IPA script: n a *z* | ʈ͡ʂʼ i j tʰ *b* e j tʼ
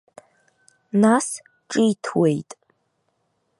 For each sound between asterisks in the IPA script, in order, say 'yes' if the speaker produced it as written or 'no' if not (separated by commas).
no, no